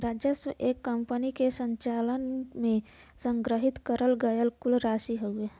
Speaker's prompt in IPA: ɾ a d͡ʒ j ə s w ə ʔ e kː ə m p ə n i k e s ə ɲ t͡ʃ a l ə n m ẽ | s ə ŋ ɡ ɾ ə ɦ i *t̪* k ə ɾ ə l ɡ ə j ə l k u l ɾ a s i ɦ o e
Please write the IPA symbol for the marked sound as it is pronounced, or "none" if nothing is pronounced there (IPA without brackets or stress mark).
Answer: t̪